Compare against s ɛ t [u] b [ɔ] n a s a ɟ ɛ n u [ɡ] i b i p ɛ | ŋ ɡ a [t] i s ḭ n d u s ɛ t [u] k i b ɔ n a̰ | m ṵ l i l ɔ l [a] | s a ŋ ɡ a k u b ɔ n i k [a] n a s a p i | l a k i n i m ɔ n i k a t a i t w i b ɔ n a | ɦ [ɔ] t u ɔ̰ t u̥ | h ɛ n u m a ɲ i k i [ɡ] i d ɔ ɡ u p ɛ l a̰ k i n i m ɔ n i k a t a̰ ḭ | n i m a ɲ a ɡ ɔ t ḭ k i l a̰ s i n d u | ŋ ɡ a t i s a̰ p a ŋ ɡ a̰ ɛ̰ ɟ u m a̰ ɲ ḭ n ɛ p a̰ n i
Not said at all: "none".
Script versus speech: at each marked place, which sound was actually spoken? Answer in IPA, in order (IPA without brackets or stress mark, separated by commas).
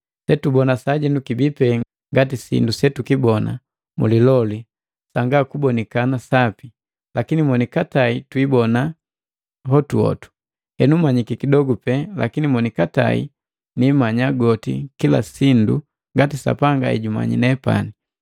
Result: u, ɔ, k, t, u, i, a, ɔ, k